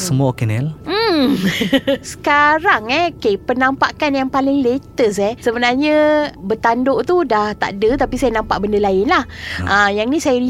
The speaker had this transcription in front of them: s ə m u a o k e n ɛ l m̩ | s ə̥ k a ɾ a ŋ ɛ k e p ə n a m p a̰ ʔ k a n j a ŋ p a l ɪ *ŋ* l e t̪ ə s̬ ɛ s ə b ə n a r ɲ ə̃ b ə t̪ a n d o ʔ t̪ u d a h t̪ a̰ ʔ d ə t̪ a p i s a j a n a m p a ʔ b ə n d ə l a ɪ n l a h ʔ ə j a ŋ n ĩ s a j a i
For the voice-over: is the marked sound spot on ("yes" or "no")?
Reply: yes